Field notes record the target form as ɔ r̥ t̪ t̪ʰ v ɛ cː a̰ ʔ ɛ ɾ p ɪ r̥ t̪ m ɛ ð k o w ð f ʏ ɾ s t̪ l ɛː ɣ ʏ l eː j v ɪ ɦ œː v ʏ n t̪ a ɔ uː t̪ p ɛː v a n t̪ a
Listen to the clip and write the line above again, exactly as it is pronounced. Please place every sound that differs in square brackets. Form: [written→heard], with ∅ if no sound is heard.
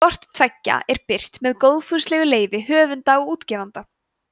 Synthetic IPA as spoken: ɔ r̥ t̪ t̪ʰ v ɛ cː a̰ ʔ ɛ ɾ p ɪ r̥ t̪ m ɛ ð k o w ð f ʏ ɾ s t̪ l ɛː ɣ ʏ l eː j v ɪ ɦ œː v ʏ n t̪ a ɔ uː t̪ [p→c] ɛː v a n t̪ a